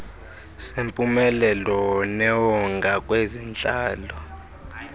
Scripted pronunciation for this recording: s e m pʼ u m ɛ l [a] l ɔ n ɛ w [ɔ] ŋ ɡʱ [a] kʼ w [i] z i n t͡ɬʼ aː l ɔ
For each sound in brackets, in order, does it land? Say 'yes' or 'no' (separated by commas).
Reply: no, yes, yes, no